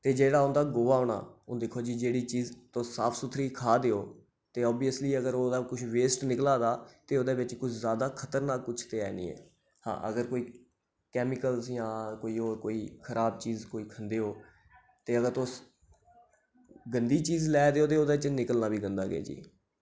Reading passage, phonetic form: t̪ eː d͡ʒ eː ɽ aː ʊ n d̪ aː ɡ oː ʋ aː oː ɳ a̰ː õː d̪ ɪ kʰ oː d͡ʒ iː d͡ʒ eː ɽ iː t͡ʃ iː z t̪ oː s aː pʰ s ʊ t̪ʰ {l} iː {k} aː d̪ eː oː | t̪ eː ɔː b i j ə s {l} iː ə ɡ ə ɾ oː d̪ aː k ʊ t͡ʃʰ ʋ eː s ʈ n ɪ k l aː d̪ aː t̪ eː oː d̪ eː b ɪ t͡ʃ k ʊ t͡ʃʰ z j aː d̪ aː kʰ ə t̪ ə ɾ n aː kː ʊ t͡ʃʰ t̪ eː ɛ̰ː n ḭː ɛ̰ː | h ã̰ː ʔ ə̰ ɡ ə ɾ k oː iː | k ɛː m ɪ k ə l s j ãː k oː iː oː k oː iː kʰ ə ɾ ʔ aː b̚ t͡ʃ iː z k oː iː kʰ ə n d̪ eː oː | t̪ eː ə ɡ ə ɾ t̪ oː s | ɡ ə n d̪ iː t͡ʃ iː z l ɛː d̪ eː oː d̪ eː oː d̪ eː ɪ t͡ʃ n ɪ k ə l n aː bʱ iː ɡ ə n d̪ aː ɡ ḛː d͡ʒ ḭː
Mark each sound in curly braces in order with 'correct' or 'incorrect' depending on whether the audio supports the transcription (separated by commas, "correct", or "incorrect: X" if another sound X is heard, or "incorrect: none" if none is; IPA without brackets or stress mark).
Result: incorrect: ɾ, incorrect: kʰ, correct